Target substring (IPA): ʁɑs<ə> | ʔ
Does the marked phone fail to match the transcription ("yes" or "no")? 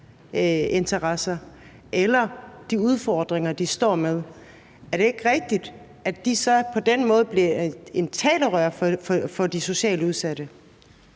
yes